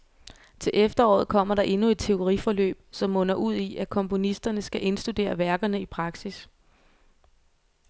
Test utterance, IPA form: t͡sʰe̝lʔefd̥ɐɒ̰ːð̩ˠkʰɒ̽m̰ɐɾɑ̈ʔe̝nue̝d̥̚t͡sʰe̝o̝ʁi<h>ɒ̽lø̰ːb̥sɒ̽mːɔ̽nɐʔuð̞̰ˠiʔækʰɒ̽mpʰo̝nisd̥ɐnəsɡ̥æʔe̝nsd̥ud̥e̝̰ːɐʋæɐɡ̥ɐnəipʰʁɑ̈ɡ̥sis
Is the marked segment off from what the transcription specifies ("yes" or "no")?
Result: yes